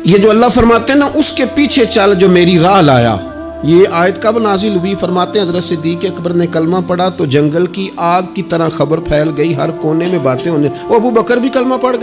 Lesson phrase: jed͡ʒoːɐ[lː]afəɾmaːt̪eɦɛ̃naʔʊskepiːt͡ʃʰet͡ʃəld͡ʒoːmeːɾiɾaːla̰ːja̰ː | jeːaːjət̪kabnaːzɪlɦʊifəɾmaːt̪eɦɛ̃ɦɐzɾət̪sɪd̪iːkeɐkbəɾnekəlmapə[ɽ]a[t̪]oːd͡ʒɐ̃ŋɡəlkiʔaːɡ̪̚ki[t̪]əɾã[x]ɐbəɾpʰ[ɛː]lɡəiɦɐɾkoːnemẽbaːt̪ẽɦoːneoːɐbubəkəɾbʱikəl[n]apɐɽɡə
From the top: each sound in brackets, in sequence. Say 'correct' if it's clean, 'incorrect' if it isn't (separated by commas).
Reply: correct, correct, correct, correct, correct, correct, incorrect